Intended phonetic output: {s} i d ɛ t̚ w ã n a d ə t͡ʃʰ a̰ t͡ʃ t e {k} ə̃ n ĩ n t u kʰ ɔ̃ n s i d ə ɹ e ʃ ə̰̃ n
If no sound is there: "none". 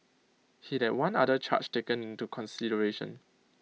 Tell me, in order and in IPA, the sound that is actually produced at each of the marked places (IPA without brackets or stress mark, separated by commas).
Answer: h, k